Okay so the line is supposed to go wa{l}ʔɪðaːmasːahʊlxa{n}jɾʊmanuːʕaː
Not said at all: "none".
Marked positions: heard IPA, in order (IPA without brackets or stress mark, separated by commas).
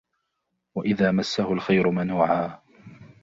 none, none